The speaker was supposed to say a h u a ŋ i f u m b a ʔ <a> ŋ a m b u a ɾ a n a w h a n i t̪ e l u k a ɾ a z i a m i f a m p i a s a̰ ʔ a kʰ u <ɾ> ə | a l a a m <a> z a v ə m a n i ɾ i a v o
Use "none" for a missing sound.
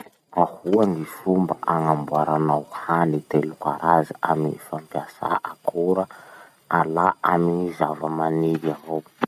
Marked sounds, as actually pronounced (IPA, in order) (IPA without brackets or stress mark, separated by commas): a, ɾ, i